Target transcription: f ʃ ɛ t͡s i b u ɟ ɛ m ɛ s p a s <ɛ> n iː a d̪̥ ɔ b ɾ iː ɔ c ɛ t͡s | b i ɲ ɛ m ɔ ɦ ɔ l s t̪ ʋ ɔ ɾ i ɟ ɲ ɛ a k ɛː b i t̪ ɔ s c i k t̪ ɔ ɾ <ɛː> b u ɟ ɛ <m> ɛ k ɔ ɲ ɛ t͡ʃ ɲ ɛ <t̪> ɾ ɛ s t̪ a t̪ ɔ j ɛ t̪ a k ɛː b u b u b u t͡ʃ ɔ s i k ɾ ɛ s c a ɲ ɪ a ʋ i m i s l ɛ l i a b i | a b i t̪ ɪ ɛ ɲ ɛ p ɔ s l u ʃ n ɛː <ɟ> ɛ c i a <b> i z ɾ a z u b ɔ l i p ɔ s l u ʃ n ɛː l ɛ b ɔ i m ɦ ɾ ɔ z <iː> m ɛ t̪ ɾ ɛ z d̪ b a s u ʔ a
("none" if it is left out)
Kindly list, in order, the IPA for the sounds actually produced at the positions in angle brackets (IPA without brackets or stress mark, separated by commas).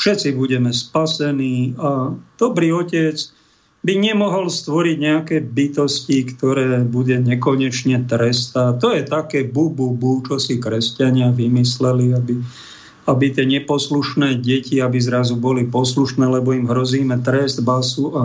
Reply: ɛ, ɛː, ɲ, t̪, ɟ, b, iː